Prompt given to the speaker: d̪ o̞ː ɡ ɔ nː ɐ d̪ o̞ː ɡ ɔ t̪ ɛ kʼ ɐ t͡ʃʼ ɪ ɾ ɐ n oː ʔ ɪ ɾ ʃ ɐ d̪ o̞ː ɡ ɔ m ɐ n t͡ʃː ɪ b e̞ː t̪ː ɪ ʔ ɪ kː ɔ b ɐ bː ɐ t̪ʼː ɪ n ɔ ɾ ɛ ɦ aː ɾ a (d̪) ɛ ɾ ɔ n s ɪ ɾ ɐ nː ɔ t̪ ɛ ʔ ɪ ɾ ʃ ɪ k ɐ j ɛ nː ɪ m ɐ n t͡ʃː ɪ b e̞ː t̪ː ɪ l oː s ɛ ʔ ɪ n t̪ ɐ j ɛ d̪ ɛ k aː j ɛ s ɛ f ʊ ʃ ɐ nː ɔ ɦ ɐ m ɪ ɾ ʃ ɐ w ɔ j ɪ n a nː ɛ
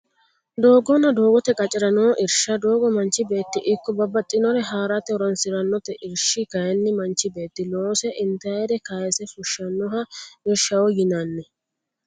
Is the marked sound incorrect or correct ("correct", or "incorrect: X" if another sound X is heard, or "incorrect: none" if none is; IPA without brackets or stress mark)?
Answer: incorrect: t̪